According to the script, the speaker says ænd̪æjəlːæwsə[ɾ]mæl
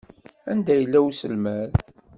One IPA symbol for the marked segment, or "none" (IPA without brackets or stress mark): l